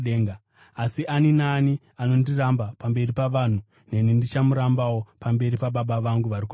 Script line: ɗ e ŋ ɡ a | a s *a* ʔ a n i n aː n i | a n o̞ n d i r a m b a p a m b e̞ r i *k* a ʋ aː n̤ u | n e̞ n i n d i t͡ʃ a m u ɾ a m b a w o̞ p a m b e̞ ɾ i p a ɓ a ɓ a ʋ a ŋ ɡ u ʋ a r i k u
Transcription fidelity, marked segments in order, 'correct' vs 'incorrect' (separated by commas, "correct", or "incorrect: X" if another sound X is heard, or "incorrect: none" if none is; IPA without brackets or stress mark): incorrect: i, incorrect: p